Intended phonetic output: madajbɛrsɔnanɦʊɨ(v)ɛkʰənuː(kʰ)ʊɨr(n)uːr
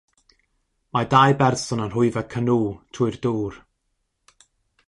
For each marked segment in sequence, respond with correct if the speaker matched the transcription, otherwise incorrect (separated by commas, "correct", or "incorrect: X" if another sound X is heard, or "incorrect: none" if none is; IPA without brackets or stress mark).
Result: correct, incorrect: tʰ, incorrect: d